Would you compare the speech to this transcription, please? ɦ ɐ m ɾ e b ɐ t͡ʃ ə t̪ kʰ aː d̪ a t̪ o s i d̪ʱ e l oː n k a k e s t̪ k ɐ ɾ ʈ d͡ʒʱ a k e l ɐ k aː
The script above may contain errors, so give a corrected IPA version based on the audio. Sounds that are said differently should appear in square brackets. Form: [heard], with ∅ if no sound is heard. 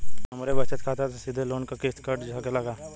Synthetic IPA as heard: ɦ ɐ m ɾ e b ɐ t͡ʃ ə t̪ kʰ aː [t̪] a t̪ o s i d̪ʱ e l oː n k a k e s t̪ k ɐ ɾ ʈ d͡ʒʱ a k e l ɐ [ɡ] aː